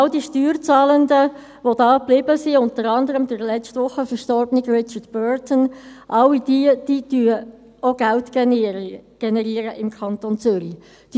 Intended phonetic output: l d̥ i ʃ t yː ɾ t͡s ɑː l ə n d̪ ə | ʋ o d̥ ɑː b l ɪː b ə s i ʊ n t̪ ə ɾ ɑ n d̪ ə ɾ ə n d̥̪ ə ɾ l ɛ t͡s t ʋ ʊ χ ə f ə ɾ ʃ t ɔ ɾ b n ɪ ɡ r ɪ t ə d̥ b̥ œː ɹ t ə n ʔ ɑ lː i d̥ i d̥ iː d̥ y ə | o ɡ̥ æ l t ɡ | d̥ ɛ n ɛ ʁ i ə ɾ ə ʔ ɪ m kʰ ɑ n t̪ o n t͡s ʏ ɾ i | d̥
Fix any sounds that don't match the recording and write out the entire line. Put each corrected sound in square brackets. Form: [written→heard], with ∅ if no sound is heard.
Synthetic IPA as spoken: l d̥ i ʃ t yː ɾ t͡s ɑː l ə n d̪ ə | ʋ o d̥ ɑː b l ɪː b ə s i ʊ n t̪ ə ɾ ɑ n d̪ ə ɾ ə [n→m] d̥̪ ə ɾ l ɛ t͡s t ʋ ʊ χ ə f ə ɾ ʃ t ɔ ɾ b n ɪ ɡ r ɪ [t→t͡ʃ] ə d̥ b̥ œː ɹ t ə n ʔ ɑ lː i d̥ i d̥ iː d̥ y ə | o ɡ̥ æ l t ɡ | [d̥→ɡ̥] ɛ n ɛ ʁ i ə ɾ ə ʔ ɪ m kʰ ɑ n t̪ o n t͡s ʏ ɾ i | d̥